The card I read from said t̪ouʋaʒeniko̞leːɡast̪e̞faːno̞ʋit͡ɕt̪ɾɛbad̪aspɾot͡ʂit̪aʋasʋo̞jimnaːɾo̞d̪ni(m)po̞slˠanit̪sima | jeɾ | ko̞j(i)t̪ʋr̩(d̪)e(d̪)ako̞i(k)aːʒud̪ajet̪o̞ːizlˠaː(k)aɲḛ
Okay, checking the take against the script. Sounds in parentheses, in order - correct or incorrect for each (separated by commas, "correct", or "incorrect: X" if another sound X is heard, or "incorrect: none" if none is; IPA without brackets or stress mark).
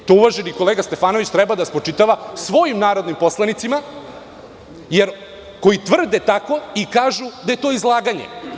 correct, correct, correct, incorrect: t̪, correct, incorrect: ɡ